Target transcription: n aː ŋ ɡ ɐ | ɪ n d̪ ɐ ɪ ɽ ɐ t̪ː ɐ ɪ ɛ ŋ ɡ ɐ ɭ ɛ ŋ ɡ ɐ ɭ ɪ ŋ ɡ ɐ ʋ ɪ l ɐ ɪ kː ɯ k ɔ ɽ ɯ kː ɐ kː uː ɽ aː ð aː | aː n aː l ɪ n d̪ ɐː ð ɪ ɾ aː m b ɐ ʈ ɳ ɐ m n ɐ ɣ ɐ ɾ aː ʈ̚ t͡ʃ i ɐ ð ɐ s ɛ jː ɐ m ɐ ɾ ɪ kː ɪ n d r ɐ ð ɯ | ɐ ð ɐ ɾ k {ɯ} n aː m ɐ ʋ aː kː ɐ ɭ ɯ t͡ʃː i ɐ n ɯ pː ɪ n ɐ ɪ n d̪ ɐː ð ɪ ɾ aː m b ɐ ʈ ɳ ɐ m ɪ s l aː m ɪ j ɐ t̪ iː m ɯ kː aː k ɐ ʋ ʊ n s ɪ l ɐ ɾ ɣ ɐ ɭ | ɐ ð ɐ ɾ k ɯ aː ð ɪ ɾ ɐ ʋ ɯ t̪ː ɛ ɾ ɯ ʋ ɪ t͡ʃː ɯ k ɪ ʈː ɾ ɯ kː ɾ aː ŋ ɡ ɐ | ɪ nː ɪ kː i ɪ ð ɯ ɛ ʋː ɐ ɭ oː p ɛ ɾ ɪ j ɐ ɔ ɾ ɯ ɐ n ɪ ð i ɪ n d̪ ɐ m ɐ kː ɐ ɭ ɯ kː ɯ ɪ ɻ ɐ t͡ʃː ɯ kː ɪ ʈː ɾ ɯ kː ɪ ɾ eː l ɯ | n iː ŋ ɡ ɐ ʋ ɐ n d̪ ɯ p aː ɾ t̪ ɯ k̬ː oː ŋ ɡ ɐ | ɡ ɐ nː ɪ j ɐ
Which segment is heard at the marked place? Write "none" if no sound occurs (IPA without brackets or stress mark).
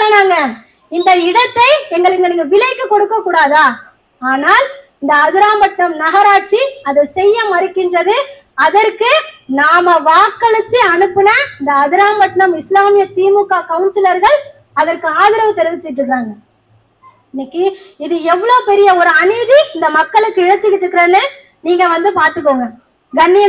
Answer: ɯ